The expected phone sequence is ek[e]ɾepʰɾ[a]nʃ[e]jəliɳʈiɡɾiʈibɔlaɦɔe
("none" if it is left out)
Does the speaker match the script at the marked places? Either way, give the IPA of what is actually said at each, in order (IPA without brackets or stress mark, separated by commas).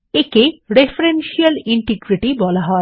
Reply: e, e, i